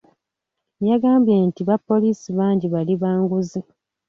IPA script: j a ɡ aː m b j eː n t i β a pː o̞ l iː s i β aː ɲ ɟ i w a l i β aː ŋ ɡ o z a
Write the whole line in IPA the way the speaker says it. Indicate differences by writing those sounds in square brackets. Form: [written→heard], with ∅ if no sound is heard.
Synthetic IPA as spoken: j a ɡ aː m b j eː n t i β a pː o̞ l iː s i β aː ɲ ɟ i [w→β] a l i β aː ŋ ɡ [o→u] z [a→i]